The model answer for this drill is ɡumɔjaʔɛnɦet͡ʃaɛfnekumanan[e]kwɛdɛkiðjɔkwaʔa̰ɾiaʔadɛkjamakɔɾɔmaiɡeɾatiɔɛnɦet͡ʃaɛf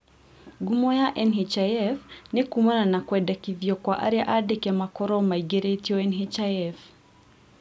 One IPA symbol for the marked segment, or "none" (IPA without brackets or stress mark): a